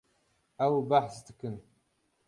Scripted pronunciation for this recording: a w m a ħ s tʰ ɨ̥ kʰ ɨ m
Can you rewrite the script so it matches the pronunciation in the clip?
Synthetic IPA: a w b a ħ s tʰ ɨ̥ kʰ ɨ n